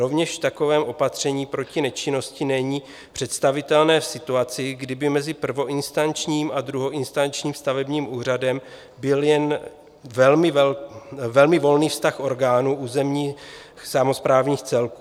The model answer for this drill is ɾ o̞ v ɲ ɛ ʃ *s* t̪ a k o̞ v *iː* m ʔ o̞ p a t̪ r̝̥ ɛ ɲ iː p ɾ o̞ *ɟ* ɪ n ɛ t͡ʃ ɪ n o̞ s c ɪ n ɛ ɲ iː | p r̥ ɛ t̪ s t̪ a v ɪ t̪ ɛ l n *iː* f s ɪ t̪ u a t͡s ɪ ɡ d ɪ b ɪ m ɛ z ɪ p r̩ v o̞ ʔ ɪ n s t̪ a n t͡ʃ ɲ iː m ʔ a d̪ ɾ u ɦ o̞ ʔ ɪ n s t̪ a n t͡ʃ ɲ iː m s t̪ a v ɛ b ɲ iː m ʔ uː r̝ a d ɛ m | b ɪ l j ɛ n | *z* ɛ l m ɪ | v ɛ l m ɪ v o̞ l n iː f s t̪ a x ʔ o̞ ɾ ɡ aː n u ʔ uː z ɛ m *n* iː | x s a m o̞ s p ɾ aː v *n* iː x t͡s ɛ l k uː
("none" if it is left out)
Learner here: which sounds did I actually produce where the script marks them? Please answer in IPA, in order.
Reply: f, ɛː, c, ɛː, v, ɲ, ɲ

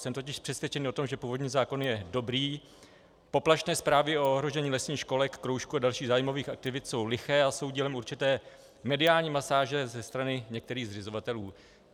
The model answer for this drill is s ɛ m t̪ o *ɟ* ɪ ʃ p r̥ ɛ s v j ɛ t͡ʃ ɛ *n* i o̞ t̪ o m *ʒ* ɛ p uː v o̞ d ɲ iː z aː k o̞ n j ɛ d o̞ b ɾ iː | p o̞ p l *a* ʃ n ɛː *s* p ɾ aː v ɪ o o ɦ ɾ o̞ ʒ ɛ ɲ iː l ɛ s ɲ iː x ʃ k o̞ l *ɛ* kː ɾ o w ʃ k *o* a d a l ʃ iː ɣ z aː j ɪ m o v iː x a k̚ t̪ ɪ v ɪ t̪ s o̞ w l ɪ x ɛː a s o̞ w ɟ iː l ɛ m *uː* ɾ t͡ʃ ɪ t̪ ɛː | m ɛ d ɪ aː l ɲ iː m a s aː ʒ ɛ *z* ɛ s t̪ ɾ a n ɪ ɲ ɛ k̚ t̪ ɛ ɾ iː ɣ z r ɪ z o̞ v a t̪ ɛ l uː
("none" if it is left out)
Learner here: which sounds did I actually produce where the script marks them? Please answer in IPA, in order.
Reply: c, n, ʒ, a, s, ɛ, u, u, z

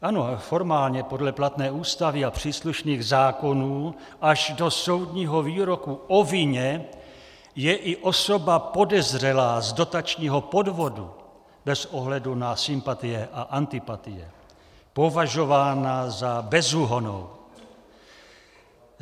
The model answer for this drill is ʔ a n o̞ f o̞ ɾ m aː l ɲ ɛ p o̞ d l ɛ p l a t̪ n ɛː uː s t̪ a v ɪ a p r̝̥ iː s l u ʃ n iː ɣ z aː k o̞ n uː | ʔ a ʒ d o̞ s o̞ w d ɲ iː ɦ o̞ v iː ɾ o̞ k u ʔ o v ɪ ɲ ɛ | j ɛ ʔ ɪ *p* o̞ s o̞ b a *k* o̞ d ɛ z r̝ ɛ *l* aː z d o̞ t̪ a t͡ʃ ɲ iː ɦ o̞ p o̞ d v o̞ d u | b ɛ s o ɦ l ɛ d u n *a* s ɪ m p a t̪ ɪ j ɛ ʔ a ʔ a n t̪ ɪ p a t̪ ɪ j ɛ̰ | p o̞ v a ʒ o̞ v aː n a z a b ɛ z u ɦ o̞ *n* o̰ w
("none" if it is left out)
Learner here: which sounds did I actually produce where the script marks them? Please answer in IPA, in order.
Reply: ʔ, p, l, a, n

